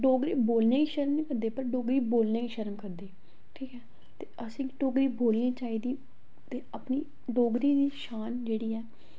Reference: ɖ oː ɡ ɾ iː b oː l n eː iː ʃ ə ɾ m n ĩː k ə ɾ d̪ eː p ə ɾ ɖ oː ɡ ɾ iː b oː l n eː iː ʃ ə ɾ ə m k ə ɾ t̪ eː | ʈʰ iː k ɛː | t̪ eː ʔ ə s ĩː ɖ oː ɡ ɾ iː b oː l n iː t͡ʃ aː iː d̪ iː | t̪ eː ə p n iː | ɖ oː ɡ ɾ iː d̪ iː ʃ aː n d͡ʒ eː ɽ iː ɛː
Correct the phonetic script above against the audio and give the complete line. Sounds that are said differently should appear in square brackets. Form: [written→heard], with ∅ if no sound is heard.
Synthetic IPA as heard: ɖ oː ɡ ɾ iː b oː l n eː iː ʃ ə ɾ m n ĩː k ə ɾ d̪ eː p ə ɾ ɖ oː ɡ ɾ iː b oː l n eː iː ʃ ə ɾ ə m k ə ɾ [t̪→d̪] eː | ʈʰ iː k ɛː | t̪ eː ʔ ə s ĩː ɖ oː ɡ ɾ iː b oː l n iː t͡ʃ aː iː d̪ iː | t̪ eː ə p n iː | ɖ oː ɡ ɾ iː d̪ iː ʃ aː n d͡ʒ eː ɽ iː ɛː